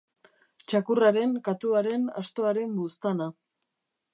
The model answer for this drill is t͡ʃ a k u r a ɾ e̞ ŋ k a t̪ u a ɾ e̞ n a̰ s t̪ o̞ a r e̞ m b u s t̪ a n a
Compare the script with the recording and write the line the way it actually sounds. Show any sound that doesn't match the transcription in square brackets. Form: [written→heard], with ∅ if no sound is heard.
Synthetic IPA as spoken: t͡ʃ a k u r a ɾ e̞ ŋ k a t̪ u a ɾ e̞ n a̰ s t̪ o̞ a [r→ɾ] e̞ m b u s t̪ a n a